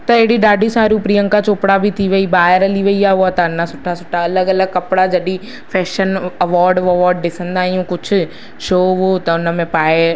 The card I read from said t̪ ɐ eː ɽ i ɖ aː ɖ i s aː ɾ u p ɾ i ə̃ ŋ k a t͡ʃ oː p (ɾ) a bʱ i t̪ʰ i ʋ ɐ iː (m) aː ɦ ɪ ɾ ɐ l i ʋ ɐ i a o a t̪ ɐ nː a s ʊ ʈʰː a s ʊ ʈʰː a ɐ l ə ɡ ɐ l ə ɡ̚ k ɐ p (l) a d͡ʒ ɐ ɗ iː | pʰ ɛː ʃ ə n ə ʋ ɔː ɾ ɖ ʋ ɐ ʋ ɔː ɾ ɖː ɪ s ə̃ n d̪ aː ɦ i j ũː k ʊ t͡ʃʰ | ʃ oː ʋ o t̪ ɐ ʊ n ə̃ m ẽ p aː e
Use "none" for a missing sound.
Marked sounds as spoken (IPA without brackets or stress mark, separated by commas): ɽ, b, ɽ